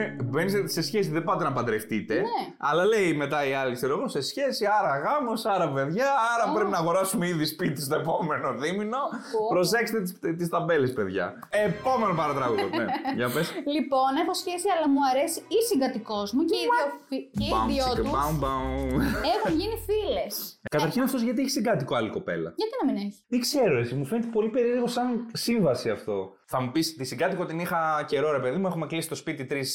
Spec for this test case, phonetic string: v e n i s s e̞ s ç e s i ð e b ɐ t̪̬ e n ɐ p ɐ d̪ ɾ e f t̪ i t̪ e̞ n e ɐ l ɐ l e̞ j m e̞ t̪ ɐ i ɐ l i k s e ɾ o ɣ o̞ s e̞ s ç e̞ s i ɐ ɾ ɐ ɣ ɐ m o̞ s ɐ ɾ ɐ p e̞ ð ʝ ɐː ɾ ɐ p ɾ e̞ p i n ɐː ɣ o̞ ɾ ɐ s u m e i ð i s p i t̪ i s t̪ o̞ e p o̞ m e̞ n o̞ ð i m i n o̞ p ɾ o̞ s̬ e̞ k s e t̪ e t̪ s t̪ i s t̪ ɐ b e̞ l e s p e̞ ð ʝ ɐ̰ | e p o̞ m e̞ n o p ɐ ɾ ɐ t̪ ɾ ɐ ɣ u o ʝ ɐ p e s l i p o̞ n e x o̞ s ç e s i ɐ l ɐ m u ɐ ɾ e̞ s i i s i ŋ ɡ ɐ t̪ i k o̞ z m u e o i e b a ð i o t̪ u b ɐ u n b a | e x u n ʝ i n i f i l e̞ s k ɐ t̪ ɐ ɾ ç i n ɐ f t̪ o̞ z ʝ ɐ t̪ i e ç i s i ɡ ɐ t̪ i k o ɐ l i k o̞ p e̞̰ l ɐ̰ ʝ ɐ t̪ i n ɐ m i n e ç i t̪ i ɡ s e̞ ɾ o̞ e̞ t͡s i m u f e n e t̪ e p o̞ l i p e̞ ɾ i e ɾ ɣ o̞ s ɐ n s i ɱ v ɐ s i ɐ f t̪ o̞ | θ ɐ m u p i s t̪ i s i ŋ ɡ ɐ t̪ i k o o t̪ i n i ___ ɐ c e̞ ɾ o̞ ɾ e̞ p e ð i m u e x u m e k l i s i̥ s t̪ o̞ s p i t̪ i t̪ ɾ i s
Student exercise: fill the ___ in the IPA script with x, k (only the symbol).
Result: x